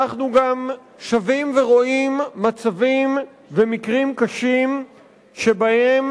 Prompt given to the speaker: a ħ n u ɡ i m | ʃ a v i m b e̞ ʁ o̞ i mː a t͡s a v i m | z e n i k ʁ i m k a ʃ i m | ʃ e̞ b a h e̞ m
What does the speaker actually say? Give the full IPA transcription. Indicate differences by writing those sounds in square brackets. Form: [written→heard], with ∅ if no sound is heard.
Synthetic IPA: a [ħ→χ] n u ɡ [i→a] m | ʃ a v i m [b→v] e̞ ʁ o̞ i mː a t͡s a v i m | [z→v] e [n→m] i k ʁ i m k a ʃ i m | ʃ e̞ b a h e̞ m